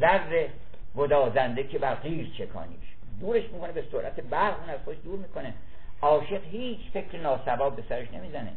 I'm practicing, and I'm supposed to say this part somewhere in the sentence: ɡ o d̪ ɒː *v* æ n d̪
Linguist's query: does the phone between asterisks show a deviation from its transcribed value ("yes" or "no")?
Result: yes